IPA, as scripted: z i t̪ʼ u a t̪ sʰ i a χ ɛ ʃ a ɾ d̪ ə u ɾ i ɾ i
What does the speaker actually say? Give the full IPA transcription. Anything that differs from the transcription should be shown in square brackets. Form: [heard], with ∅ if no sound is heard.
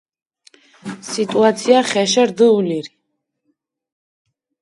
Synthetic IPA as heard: [s] i t̪ʼ u a t̪ sʰ i a χ ɛ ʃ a ɾ d̪ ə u [l] i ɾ i